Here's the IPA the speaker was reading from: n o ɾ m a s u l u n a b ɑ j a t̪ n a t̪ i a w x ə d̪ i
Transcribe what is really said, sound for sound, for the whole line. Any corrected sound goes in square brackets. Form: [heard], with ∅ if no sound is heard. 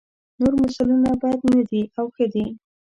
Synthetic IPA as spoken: n o ɾ m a s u l u n a b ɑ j a [d̪] n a [d̪] i a w x ə d̪ i